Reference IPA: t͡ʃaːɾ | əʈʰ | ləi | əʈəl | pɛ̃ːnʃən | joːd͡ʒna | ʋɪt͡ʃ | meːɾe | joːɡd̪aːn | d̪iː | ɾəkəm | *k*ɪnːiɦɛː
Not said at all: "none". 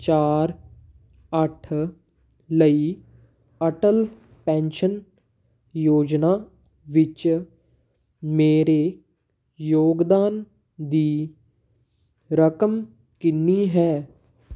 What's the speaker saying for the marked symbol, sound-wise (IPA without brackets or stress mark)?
k